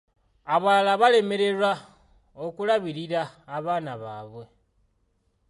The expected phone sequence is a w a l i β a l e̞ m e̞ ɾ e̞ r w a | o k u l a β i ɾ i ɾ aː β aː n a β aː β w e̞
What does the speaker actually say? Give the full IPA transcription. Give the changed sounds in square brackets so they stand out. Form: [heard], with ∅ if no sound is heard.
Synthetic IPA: a [β] a l [a] β a l e̞ m e̞ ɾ e̞ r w a | o k u l a β i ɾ i ɾ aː β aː n a β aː β w e̞